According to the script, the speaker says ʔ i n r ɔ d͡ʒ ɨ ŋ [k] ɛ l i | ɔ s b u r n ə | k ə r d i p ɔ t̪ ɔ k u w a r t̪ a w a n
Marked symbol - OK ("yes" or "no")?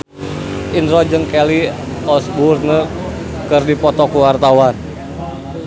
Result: yes